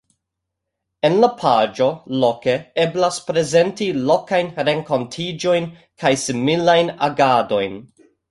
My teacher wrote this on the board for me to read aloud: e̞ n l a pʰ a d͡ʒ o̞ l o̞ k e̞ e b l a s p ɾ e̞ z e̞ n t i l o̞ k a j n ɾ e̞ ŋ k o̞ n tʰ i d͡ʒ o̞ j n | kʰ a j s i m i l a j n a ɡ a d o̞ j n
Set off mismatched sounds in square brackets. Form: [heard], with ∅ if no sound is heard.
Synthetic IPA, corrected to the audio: e̞ n l a pʰ a d͡ʒ o̞ l o̞ k e̞ e b l a s p ɾ e̞ z e̞ n t i l o̞ k a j n ɾ e̞ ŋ k o̞ n tʰ i d͡ʒ o̞ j n | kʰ a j s i m i l a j n a ɡ a d o̞ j n